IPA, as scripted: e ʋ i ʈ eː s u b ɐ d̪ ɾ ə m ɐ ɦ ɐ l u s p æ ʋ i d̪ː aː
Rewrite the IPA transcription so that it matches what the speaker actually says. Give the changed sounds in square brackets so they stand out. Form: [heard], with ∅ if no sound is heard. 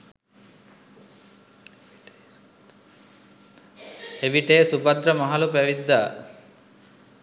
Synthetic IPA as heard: e ʋ i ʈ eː s u b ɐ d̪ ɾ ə m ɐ ɦ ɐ l u [∅] p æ ʋ i d̪ː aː